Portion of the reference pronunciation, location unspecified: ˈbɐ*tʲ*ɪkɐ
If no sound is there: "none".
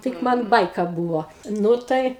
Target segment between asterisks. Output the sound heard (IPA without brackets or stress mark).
none